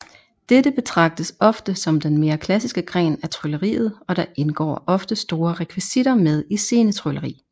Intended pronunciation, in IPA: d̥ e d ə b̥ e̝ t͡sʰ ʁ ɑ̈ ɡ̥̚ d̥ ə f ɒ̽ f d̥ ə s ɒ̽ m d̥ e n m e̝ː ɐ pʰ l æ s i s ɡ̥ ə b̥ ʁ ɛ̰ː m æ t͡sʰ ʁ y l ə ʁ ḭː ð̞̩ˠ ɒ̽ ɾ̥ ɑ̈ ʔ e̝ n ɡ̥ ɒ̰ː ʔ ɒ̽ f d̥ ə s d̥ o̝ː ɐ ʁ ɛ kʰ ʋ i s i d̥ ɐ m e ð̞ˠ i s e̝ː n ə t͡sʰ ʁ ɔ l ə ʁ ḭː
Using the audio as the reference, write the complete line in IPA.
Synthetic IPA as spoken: d̥ e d ə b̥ e̝ t͡sʰ ʁ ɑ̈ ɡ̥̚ d̥ ə s ɒ̽ f d̥ ə s ɒ̽ m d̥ e n m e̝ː ɐ kʰ l æ s i s ɡ̥ ə ɡ̥ ʁ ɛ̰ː n æ t͡sʰ ʁ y l ə ʁ ḭː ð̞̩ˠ ɒ̽ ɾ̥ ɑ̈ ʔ e̝ n ɡ̥ ɒ̰ː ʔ ɒ̽ f d̥ ə s d̥ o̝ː ɐ ʁ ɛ kʰ ʋ i s i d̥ ɐ m e ð̞ˠ i s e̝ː n ə t͡sʰ ʁ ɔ l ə ʁ ḭː